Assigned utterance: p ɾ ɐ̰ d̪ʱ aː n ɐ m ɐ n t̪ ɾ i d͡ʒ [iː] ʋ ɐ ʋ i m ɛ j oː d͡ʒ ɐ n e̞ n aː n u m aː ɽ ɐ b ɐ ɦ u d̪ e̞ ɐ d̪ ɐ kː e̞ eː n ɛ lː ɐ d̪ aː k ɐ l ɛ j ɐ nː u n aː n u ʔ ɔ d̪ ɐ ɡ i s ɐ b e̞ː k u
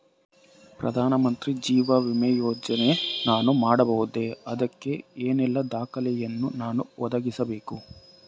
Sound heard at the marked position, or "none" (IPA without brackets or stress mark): iː